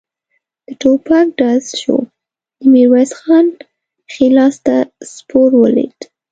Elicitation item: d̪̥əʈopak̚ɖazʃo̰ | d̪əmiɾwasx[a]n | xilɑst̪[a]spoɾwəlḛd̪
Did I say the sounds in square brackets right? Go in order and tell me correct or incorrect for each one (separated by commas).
incorrect, correct